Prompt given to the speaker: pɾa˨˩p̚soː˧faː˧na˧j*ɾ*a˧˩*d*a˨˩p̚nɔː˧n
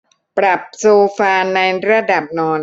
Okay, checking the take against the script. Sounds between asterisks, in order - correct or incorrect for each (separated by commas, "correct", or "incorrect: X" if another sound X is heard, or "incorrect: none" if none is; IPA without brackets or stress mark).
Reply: correct, correct